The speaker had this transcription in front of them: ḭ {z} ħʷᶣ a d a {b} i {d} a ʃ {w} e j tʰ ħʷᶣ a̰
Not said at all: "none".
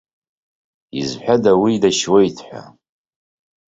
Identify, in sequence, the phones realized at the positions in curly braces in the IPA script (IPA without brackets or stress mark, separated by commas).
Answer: z, w, d, w